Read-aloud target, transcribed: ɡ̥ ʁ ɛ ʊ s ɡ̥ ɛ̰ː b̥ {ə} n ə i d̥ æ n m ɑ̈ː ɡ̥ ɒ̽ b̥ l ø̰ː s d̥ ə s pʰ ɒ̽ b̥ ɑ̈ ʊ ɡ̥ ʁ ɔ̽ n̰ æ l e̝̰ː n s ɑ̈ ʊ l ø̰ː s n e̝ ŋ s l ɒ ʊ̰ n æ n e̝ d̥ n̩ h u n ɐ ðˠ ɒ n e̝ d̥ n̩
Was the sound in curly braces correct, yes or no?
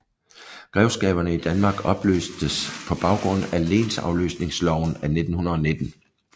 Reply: no